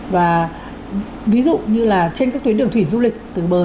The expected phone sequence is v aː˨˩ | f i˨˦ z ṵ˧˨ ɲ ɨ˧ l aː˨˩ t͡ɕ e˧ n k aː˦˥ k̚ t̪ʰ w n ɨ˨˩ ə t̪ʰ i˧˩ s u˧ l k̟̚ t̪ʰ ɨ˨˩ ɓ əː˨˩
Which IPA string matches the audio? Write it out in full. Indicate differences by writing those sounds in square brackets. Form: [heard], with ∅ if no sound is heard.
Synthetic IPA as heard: v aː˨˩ | [v] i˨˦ z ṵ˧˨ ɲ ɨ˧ l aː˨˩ t͡ɕ e˧ n k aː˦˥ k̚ [t̪] w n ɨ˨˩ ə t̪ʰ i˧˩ [z] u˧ l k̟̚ [t̪] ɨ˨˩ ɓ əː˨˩